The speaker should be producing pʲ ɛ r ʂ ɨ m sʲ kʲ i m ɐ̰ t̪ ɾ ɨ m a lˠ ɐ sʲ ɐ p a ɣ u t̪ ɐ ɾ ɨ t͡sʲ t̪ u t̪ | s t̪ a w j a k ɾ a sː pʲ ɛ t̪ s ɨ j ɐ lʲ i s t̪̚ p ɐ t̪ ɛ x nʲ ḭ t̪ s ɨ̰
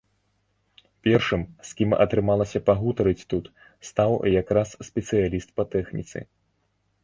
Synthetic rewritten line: pʲ ɛ r ʂ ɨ m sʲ kʲ i m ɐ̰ t̪ ɾ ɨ m a lˠ ɐ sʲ ɐ p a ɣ u t̪ ɐ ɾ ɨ t͡sʲ t̪ u t̪ | s t̪ a w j a k ɾ a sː pʲ ɛ t̪ s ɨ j a lʲ i s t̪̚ p ɐ t̪ ɛ x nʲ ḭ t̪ s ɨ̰